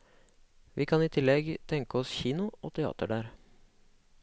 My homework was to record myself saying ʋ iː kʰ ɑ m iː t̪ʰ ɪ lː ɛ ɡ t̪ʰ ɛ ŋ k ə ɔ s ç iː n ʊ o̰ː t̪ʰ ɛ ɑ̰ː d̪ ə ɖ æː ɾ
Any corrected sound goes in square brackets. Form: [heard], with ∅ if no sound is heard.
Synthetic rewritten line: ʋ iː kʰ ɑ [n] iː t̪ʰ ɪ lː ɛ ɡ t̪ʰ ɛ ŋ k ə ɔ s ç iː n ʊ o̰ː t̪ʰ ɛ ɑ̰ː [t̪] ə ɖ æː ɾ